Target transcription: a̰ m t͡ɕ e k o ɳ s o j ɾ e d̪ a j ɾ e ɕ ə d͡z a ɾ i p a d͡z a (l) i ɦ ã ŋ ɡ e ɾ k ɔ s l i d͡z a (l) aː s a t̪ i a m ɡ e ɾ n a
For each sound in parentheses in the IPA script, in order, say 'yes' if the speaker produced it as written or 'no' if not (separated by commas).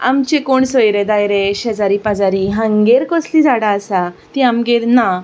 no, no